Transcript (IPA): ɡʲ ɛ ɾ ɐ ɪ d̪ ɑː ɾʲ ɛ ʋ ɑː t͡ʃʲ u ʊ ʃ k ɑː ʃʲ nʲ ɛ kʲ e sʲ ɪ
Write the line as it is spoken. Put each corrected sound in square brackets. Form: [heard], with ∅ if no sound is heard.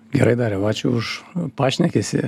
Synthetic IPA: ɡʲ ɛ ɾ ɐ ɪ d̪ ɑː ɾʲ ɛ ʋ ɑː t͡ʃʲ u ʊ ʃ [p] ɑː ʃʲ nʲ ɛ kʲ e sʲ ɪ